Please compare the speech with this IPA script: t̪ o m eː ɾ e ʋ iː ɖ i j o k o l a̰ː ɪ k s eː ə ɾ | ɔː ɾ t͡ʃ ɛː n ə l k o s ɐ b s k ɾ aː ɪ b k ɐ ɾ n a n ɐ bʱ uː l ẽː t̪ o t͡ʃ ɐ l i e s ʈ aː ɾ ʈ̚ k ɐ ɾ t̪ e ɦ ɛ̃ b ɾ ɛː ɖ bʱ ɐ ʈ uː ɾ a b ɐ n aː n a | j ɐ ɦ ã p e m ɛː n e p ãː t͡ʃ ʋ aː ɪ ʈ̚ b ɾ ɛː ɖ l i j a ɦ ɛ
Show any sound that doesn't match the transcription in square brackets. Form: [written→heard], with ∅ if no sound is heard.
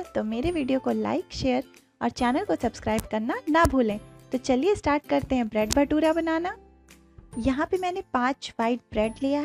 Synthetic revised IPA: t̪ o m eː ɾ e ʋ iː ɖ i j o k o l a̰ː ɪ k [s→ʃ] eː ə ɾ | ɔː ɾ t͡ʃ ɛː n ə l k o s ɐ b s k ɾ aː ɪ b k ɐ ɾ n a n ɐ bʱ uː l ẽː t̪ o t͡ʃ ɐ l i e s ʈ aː ɾ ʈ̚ k ɐ ɾ t̪ e ɦ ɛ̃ b ɾ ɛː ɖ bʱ ɐ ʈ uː ɾ a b ɐ n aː n a | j ɐ ɦ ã p e m ɛː n e p ãː t͡ʃ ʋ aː ɪ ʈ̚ b ɾ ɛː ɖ l i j a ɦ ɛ

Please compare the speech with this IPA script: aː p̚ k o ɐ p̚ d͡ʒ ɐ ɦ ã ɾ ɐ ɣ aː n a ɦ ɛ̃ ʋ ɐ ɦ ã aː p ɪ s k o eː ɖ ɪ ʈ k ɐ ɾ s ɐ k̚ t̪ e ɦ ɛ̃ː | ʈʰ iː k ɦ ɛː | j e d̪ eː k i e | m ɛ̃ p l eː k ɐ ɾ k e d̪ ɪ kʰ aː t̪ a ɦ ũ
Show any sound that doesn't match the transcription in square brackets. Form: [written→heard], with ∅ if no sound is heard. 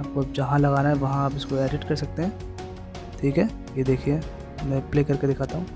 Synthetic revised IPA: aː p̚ k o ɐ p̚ d͡ʒ ɐ ɦ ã [ɾ→l] ɐ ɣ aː n a ɦ [ɛ̃→ɛ] ʋ ɐ ɦ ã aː p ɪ s k o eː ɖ ɪ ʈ k ɐ ɾ s ɐ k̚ t̪ e ɦ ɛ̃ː | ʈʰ iː k ɦ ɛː | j e d̪ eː [k→kʰ] i e | m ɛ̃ p l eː k ɐ ɾ k e d̪ ɪ kʰ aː t̪ a ɦ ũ

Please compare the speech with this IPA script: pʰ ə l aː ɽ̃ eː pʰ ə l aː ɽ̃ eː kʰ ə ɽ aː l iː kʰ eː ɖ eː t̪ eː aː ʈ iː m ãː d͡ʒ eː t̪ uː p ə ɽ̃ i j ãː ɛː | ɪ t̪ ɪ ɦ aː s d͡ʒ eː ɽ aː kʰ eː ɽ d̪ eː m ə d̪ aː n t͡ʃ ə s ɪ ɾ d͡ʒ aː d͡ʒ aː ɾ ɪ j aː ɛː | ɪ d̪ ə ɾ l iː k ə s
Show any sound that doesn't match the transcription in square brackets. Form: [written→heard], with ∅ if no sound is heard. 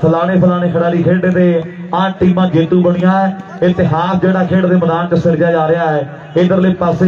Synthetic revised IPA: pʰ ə l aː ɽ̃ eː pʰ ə l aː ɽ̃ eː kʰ ə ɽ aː l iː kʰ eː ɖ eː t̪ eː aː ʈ iː m ãː d͡ʒ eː t̪ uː [p→b] ə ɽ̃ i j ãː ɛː | ɪ t̪ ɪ ɦ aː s d͡ʒ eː ɽ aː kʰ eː ɽ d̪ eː m ə d̪ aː n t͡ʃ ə s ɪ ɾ d͡ʒ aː d͡ʒ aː ɾ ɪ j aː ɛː | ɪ d̪ ə ɾ l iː [k→p] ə s

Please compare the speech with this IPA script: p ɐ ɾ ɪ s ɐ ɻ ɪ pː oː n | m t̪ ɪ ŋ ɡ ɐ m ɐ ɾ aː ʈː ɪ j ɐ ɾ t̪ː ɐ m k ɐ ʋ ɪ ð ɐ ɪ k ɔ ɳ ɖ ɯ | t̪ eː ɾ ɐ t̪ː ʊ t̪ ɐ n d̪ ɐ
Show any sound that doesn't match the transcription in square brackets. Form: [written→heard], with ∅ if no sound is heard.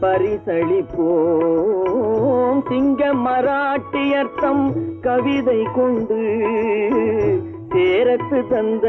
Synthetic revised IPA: p ɐ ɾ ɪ s ɐ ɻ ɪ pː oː [n→∅] | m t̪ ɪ ŋ ɡ ɐ m ɐ ɾ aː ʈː ɪ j ɐ ɾ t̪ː ɐ m k ɐ ʋ ɪ ð ɐ ɪ k ɔ ɳ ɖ ɯ | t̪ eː ɾ ɐ t̪ː [ʊ→ɯ] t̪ ɐ n d̪ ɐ

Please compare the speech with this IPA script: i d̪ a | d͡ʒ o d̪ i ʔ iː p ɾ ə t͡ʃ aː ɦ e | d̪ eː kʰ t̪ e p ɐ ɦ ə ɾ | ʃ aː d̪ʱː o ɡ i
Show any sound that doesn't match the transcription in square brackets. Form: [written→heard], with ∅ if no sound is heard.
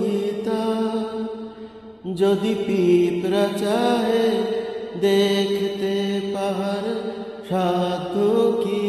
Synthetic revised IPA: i [d̪→t̪] a | d͡ʒ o d̪ i [ʔ→p] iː p ɾ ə t͡ʃ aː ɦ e | d̪ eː kʰ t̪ e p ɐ ɦ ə ɾ | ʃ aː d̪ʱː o [ɡ→k] i

